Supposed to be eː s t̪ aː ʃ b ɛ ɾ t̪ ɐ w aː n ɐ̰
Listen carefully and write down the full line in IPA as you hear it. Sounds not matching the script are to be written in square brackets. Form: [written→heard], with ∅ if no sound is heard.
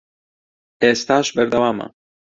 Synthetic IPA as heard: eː s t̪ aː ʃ b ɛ ɾ [t̪→d̪] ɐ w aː [n→m] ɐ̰